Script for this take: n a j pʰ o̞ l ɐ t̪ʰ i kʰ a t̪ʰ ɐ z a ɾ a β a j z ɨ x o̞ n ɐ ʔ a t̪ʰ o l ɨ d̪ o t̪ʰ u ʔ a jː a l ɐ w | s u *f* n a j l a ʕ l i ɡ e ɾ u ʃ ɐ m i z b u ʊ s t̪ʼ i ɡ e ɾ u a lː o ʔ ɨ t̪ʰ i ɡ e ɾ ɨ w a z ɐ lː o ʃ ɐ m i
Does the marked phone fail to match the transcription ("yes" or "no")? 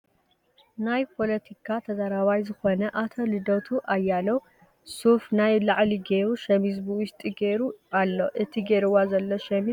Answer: no